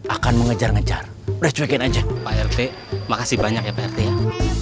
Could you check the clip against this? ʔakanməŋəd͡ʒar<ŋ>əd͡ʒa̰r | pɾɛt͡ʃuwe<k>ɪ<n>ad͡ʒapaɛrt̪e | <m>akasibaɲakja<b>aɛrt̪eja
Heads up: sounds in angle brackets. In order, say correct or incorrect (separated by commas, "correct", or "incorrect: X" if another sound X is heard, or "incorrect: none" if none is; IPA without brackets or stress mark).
correct, correct, correct, correct, incorrect: p